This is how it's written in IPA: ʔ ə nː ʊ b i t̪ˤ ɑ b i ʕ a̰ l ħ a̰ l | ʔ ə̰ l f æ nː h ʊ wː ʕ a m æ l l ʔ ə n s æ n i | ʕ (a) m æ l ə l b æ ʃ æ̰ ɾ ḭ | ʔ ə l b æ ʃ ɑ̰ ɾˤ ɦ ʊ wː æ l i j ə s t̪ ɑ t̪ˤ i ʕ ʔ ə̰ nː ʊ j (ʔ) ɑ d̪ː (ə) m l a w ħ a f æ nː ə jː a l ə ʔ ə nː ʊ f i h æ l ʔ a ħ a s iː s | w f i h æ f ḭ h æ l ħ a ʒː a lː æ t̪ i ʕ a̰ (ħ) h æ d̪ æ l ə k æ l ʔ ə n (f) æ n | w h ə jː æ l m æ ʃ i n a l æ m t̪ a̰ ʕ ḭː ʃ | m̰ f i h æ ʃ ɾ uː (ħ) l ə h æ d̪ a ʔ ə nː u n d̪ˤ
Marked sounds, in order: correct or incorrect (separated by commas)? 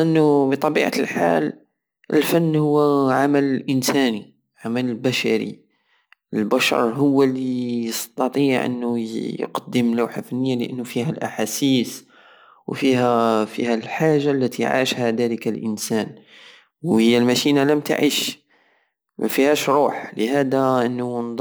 correct, incorrect, correct, incorrect, incorrect, correct